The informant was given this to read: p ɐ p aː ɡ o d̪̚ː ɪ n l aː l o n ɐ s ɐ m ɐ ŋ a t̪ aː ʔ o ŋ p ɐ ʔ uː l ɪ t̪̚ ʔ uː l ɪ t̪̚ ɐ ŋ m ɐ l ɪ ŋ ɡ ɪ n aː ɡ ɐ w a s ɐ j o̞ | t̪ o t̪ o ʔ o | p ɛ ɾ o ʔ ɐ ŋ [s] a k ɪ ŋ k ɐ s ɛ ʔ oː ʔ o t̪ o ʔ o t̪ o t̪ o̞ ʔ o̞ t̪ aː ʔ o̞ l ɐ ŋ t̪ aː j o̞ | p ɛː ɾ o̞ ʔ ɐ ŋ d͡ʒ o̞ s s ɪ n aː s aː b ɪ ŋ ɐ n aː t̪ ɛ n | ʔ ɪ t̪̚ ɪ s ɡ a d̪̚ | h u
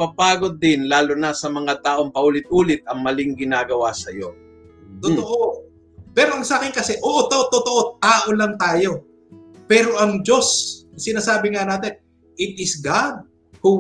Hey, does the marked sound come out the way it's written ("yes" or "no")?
yes